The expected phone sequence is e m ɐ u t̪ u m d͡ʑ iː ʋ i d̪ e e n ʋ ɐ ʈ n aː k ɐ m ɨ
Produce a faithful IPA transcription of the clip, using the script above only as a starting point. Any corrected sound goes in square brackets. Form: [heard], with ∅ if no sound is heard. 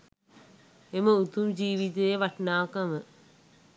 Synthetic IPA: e m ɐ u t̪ u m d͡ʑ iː ʋ i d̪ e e [∅] ʋ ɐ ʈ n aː k ɐ m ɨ